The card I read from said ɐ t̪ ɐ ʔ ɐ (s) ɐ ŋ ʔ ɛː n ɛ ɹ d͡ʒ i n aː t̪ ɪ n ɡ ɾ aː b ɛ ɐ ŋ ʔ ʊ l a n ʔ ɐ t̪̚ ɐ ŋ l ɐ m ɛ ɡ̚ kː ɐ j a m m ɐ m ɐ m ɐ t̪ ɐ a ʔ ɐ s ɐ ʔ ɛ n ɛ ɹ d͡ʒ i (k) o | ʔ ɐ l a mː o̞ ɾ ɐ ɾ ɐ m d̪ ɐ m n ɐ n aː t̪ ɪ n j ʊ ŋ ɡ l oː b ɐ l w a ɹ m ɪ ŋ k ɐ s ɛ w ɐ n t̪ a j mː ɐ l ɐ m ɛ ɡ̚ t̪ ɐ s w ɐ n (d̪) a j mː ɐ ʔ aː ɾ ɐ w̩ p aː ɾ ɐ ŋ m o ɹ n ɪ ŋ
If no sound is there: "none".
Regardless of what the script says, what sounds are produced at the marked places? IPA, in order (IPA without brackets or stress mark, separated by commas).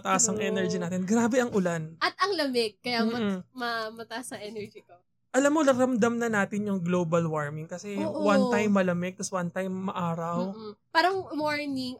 s, k, t̪